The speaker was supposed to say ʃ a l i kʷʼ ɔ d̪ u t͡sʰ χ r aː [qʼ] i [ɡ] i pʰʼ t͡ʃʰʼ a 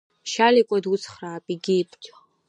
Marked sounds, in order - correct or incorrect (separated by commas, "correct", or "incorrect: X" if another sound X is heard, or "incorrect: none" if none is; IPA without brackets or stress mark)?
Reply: incorrect: pʼ, correct